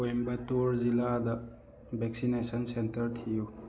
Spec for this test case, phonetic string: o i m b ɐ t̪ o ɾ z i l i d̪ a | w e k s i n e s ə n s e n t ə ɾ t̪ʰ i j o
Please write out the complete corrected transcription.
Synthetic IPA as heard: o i m b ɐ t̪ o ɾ z i l a d̪ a | b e k s i n e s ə n s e n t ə ɾ t̪ʰ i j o